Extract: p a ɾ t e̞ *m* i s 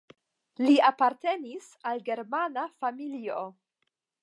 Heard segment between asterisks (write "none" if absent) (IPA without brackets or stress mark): n